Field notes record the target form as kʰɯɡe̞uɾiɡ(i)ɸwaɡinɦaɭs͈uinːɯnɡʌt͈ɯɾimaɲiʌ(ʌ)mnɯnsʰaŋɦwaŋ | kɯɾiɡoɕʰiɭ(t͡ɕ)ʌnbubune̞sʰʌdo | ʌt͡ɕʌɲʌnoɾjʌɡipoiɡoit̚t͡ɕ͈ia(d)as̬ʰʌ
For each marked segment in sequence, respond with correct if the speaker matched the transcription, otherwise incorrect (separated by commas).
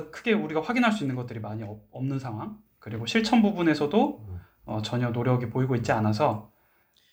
incorrect, correct, incorrect, incorrect